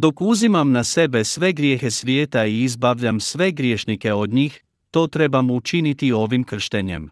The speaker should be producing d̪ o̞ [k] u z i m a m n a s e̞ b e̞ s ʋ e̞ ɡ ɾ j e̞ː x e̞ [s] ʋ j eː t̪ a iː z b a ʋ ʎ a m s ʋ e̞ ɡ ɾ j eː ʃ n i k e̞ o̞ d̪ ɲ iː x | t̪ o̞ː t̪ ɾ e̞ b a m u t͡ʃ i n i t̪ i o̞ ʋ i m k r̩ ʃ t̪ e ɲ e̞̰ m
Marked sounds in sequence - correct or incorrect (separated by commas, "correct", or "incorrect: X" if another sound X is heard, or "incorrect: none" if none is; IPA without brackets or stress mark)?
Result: correct, correct